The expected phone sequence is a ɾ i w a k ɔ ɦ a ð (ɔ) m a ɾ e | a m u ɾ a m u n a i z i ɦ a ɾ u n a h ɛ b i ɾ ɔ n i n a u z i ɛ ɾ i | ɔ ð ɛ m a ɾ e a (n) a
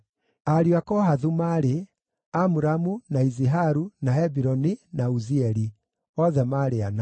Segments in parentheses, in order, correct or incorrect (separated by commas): incorrect, correct